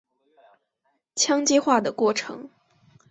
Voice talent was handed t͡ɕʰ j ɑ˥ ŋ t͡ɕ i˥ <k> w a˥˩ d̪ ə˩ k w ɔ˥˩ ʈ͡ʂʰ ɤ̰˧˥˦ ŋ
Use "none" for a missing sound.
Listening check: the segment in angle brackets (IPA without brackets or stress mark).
x